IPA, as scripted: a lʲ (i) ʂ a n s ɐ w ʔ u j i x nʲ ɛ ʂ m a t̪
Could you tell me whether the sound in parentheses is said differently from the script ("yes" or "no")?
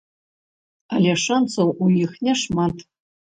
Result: yes